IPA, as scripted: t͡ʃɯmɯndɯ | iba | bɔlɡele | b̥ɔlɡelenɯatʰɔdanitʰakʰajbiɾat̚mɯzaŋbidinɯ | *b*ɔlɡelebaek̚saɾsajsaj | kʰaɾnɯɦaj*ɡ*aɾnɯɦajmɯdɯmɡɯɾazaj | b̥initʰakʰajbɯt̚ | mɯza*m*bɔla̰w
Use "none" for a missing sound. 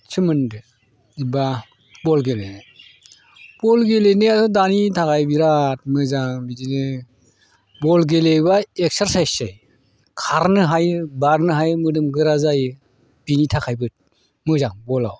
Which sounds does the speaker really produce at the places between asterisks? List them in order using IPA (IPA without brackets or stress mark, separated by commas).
b, b, ŋ